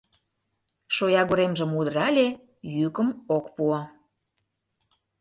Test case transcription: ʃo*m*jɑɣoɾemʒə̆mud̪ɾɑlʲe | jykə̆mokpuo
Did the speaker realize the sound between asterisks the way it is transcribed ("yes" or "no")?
no